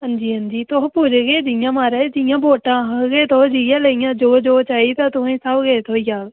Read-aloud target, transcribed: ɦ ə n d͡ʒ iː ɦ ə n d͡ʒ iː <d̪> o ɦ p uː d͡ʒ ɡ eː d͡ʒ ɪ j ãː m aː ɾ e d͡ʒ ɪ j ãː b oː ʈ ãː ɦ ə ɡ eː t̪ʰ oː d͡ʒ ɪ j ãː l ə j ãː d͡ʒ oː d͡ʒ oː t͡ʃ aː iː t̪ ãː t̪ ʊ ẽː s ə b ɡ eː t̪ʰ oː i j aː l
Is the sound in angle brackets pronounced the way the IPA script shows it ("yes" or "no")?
no